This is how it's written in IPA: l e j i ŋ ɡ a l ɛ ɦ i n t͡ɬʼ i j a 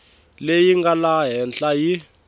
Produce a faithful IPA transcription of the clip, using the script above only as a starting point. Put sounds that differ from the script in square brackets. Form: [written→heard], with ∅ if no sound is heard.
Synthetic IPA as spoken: l e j i ŋ ɡ a l [ɛ→a] ɦ [i→ɛ] n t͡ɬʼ [i→a] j [a→i]

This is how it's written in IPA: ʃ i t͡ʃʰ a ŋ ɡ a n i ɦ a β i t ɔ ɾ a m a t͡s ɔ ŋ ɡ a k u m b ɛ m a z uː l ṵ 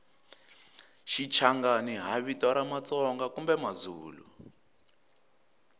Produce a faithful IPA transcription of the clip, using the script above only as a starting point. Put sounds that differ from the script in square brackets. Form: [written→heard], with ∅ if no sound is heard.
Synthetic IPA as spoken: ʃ i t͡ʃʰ a ŋ ɡ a n i ɦ a β i t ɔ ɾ a m a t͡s ɔ ŋ ɡ a k u m b ɛ m a z uː l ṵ

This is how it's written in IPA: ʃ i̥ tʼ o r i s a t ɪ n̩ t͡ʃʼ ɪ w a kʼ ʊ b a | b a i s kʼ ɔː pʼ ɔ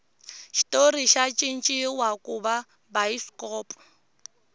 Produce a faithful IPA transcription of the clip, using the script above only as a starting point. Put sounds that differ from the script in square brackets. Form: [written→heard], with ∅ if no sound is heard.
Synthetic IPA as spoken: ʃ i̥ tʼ o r i [s→ʃ] a [t→t͡ʃʼ] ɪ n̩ t͡ʃʼ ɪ w a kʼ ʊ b a | b a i s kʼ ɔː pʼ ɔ

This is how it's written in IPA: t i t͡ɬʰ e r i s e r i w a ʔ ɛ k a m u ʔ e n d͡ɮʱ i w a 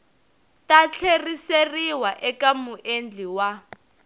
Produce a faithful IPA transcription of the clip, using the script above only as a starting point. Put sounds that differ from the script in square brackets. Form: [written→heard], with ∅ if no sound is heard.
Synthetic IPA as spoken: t [i→a] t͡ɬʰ e r i s e r i w a ʔ ɛ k a m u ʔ e n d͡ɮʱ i w a

